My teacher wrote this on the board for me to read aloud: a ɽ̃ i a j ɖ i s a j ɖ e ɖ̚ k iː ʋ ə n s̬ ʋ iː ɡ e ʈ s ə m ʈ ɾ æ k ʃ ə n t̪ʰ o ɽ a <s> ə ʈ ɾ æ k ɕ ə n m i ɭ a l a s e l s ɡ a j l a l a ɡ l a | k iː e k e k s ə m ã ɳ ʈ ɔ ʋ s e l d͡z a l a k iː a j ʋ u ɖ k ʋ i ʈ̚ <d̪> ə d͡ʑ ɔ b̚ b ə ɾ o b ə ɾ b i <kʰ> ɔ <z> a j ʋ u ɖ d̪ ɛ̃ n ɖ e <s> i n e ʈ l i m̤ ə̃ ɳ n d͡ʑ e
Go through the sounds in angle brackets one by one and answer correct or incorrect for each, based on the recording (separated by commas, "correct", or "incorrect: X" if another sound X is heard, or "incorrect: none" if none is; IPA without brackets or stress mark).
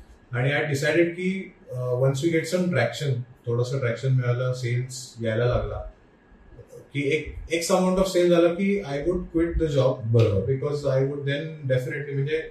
correct, correct, incorrect: k, correct, incorrect: f